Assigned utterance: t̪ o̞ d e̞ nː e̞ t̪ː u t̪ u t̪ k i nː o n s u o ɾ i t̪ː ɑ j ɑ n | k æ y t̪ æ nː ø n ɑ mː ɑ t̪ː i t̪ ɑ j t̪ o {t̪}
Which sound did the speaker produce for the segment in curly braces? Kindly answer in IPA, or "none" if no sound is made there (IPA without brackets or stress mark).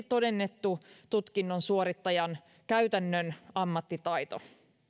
none